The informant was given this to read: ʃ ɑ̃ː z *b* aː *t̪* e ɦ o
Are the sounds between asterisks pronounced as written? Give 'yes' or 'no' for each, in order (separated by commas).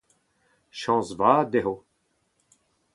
no, no